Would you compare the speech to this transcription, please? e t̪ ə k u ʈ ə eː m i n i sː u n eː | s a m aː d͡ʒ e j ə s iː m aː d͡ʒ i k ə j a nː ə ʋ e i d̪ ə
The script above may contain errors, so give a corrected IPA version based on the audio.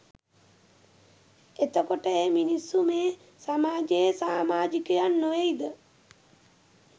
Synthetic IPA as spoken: e t̪ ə k o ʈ ə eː m i n i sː u m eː | s a m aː d͡ʒ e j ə s aː m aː d͡ʒ i k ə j a nː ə ʋ e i d̪ ə